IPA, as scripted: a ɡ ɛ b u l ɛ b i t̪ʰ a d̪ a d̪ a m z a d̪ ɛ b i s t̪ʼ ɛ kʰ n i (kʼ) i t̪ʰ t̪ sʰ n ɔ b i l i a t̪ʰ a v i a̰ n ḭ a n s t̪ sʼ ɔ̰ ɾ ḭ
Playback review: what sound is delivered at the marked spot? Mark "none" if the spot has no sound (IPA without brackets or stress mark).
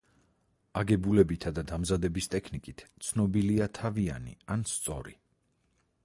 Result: kʼ